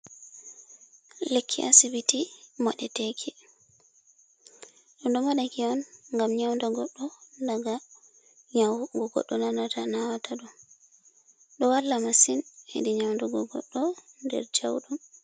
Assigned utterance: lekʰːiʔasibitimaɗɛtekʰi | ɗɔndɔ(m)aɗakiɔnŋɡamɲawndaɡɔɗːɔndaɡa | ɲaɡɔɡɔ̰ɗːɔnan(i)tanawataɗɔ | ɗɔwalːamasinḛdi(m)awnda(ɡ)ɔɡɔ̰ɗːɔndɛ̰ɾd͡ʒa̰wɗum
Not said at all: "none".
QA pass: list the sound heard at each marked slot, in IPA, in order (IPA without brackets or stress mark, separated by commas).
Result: m, a, ɲ, ɡ